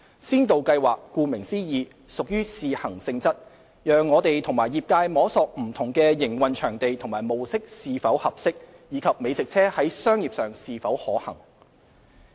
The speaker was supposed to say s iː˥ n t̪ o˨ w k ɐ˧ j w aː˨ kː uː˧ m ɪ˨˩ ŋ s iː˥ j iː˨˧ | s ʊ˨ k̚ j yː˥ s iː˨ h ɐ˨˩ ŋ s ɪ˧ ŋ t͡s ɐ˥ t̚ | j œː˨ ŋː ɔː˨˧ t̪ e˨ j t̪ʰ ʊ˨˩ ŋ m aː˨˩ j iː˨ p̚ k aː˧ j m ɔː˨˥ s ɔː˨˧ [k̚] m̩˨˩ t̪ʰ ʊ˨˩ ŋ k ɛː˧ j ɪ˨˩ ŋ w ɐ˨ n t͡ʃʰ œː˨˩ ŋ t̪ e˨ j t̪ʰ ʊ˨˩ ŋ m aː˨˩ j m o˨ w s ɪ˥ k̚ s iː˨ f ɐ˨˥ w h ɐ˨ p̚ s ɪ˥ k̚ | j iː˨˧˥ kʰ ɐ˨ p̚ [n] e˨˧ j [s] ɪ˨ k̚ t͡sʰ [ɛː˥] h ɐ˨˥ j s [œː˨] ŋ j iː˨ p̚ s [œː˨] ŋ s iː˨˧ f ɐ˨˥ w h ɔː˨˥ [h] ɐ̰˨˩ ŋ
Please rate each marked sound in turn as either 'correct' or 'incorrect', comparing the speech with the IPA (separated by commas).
correct, incorrect, incorrect, correct, incorrect, correct, correct